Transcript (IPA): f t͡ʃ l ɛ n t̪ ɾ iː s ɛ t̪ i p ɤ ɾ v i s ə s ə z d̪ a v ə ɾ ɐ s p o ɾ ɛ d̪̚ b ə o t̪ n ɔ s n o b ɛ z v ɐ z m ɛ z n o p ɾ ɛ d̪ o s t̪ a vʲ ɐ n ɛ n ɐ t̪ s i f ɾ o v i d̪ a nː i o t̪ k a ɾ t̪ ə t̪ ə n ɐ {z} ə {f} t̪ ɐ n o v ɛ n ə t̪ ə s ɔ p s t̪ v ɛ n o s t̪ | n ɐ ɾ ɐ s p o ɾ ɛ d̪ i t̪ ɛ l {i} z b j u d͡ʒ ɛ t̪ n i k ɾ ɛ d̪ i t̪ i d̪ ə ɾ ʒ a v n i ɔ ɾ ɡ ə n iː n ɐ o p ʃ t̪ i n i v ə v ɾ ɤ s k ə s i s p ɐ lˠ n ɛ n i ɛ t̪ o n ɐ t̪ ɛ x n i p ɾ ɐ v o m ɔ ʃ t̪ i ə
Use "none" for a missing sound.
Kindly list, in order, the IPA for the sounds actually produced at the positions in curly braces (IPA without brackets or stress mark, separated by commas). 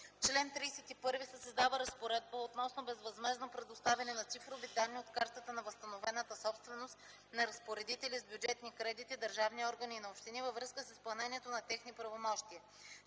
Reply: v, s, i